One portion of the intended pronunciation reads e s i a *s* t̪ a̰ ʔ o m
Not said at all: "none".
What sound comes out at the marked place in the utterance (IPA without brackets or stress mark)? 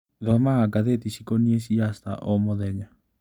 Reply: s